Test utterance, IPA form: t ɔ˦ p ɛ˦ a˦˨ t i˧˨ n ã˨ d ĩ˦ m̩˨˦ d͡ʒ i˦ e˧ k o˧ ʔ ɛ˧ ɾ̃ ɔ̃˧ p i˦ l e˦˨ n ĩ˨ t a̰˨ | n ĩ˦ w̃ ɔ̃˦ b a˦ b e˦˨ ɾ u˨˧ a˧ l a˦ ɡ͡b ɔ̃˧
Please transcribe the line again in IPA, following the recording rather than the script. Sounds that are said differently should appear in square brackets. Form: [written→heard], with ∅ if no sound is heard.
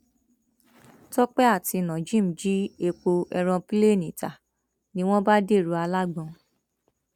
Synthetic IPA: t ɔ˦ [p→k͡p] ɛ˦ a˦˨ t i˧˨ n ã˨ [d→d͡ʒ] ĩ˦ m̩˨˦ d͡ʒ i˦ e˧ [k→k͡p] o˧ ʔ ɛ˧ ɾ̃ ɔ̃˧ p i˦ l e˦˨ n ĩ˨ t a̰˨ | n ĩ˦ w̃ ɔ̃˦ b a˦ [b→d] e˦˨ ɾ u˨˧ a˧ l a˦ ɡ͡b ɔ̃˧